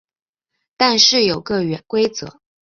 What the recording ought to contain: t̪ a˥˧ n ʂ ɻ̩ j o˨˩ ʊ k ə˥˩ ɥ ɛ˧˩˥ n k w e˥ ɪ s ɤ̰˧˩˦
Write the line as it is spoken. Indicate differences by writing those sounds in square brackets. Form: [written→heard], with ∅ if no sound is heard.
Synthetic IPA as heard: t̪ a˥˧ n ʂ ɻ̩ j o˨˩ ʊ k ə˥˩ ɥ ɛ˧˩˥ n k w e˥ ɪ [s→t͡s] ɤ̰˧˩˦